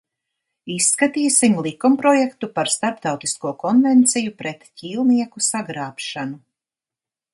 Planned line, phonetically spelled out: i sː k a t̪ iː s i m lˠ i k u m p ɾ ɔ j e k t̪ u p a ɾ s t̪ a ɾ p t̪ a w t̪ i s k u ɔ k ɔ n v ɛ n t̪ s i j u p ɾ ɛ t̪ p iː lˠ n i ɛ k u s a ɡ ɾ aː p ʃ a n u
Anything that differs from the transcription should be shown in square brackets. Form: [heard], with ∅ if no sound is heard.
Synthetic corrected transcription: i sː k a t̪ iː s i m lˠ i k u m p ɾ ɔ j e k t̪ u p a ɾ s t̪ a ɾ p t̪ a w t̪ i s k u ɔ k ɔ n v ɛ n t̪ s i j u p ɾ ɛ t̪ [c] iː lˠ n i ɛ k u s a ɡ ɾ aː p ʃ a n u